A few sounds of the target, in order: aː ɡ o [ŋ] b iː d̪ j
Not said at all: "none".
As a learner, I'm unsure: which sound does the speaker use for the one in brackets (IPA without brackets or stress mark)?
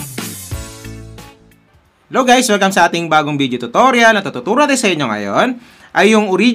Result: ŋ